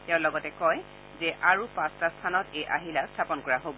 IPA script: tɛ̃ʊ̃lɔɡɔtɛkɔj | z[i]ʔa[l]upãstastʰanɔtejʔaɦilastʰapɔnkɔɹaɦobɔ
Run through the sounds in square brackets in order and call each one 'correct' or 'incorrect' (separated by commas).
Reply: incorrect, incorrect